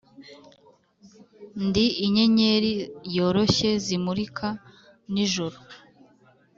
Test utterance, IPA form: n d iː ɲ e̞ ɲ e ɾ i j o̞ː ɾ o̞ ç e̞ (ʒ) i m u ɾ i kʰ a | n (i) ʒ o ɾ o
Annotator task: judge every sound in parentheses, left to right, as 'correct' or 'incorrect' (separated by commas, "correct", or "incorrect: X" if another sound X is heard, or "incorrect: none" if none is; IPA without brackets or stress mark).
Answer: incorrect: z, correct